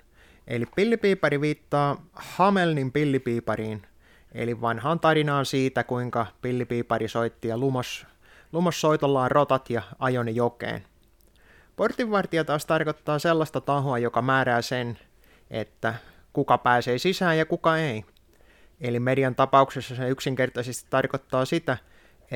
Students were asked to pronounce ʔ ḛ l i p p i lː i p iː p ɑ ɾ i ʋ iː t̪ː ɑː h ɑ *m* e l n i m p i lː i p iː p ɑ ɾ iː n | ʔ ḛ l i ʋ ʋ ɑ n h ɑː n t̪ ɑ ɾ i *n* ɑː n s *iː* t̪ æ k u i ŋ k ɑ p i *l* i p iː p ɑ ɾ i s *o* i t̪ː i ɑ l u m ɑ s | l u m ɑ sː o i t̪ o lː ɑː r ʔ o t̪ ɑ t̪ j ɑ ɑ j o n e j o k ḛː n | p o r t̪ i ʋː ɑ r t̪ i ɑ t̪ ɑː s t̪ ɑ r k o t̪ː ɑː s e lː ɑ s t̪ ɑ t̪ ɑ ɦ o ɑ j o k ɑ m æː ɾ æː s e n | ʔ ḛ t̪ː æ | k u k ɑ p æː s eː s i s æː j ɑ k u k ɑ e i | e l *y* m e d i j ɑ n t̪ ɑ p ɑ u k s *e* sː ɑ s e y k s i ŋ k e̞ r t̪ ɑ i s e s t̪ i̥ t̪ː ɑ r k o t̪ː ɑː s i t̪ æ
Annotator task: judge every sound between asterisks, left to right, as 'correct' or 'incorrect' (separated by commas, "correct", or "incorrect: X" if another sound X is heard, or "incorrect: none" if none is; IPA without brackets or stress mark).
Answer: correct, correct, correct, incorrect: lː, correct, incorrect: i, correct